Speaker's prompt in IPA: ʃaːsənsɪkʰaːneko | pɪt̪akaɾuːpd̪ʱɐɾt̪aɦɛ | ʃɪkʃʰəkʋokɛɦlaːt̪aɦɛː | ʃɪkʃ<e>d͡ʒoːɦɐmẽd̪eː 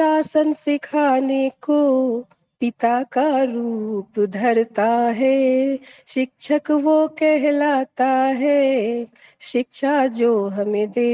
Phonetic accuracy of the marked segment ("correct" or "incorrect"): incorrect